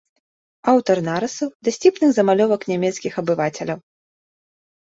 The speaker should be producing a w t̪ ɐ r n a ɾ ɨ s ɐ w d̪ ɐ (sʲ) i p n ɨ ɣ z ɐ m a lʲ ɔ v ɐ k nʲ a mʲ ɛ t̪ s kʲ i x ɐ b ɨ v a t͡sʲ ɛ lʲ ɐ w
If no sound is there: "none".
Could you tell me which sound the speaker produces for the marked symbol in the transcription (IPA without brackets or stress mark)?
sʲ